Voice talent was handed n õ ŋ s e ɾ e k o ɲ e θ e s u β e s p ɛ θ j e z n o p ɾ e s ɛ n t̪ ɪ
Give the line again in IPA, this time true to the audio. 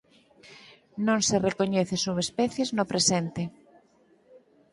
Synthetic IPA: n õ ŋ s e r e k o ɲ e θ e s u β e s p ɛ θ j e z n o p ɾ e s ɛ n t̪ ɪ